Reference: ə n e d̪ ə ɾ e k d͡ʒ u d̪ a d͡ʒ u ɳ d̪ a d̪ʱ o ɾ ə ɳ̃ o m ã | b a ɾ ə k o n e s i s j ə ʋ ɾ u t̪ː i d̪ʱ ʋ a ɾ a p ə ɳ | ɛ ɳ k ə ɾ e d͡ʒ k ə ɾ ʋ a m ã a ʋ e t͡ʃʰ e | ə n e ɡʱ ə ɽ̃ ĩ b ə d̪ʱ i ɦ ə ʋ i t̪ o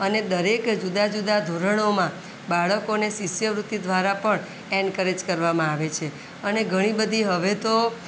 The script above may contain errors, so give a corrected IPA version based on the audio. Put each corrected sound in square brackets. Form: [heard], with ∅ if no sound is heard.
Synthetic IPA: ə n e d̪ ə ɾ e k d͡ʒ u d̪ a d͡ʒ u [∅] d̪ a d̪ʱ o ɾ ə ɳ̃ o m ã | b a [ɭ] ə k o n e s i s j ə ʋ ɾ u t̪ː i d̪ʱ ʋ a ɾ a p ə ɳ | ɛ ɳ k ə ɾ e d͡ʒ k ə ɾ ʋ a m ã a ʋ e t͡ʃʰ e | ə n e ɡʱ ə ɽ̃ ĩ b ə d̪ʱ i ɦ ə ʋ [e] t̪ o